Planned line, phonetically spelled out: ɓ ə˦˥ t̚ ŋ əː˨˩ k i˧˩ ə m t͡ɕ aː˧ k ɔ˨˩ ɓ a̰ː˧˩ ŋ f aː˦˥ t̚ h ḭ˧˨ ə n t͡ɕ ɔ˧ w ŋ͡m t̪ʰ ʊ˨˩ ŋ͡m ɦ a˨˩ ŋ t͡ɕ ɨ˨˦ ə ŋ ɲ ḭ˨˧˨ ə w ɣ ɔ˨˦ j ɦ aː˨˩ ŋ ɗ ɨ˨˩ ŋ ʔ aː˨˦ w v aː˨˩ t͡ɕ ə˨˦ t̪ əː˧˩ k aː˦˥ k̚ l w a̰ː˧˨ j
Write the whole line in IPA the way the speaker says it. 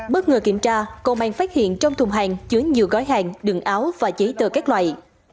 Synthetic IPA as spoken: ɓ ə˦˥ t̚ ŋ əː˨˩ k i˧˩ ə m t͡ɕ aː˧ k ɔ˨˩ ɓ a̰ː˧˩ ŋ f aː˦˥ t̚ h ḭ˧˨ ə n t͡ɕ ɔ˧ w ŋ͡m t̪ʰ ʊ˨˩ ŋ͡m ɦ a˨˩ ŋ t͡ɕ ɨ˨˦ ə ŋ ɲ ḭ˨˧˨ ə w ɣ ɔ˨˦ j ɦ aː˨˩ ŋ ɗ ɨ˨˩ ŋ ʔ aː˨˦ w v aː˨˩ t͡ɕ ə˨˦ t̪ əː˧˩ k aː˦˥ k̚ l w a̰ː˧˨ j